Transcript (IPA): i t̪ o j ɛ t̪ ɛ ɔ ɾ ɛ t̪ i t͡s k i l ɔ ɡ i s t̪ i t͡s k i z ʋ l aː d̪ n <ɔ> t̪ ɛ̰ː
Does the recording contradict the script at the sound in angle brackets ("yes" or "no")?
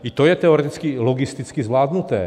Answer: yes